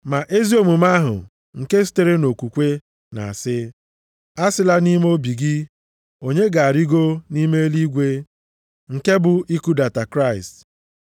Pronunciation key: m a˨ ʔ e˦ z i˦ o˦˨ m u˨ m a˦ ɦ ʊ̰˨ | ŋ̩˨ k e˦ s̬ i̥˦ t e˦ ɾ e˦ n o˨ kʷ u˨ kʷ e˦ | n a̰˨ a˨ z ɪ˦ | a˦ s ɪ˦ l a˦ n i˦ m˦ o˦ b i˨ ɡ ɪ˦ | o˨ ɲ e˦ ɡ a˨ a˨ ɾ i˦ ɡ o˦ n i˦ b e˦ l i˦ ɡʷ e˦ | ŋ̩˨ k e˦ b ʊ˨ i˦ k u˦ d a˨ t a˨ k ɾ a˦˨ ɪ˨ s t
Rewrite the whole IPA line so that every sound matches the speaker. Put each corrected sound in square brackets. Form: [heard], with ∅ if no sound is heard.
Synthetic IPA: m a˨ ʔ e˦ z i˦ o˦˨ m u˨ m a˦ ɦ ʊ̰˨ | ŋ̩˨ k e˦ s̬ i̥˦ t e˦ ɾ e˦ n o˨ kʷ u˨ kʷ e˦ | n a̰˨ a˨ [s] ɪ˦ | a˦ s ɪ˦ l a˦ n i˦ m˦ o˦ b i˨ ɡ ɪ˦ | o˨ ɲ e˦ ɡ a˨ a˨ ɾ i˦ ɡ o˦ n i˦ [m] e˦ l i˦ ɡʷ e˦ | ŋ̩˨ k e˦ b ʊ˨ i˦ k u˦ d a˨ t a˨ k ɾ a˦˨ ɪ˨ s t